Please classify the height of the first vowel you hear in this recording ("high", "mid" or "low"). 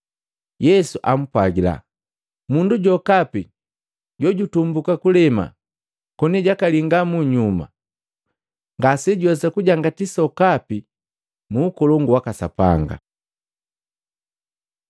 mid